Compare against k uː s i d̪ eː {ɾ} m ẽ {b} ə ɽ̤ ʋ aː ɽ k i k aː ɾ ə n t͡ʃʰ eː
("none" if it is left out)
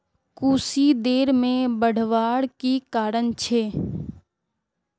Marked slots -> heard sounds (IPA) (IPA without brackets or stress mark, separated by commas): ɾ, b